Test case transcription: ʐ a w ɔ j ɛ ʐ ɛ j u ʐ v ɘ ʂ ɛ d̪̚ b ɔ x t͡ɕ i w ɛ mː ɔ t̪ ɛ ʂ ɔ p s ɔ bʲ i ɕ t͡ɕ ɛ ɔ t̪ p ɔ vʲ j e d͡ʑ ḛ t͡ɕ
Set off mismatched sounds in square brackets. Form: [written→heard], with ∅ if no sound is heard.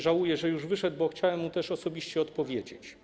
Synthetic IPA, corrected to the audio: ʐ a w [ɔ→u] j ɛ ʐ ɛ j u ʐ v ɘ ʂ ɛ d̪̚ b ɔ x t͡ɕ [i→a] w ɛ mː [ɔ→u] t̪ ɛ ʂ ɔ [p→∅] s ɔ bʲ i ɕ t͡ɕ ɛ ɔ t̪ p ɔ vʲ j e d͡ʑ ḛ t͡ɕ